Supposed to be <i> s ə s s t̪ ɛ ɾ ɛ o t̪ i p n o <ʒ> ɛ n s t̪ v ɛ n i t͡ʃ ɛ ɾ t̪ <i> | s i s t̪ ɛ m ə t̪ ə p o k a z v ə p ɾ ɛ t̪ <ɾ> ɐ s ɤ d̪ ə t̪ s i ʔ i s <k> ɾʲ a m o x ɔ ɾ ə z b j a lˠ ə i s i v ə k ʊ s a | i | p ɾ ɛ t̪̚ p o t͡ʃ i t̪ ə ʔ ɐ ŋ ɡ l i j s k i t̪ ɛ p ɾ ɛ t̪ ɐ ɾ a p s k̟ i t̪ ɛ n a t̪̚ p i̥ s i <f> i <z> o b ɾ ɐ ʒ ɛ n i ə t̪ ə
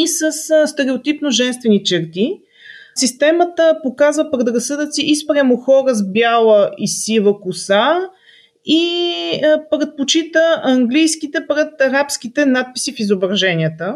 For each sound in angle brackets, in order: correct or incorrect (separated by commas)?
correct, correct, correct, correct, incorrect, correct, correct